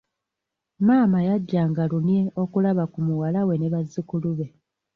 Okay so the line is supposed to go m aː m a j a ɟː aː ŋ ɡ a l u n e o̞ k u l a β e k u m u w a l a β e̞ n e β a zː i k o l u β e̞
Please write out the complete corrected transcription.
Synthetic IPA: m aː m a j a ɟː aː ŋ ɡ a l u n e o̞ k u l a β a k u m u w a l a w e̞ n e β a zː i k u l u β e̞